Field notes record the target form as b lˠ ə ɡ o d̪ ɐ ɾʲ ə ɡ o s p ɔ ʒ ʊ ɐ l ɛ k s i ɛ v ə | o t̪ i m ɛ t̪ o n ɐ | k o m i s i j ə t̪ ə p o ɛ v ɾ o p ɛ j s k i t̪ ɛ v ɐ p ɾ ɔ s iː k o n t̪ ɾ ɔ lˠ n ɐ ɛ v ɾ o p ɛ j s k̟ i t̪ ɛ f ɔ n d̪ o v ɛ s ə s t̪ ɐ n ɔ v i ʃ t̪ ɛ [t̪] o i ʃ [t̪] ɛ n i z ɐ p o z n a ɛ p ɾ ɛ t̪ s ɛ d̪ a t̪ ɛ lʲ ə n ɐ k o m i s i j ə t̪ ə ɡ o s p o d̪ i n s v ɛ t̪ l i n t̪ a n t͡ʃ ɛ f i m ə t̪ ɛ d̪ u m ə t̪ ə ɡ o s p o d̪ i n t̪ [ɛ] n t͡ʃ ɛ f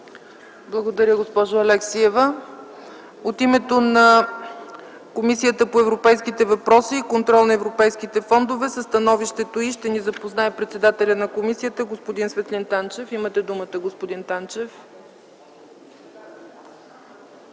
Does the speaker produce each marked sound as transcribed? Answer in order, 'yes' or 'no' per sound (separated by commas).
yes, yes, no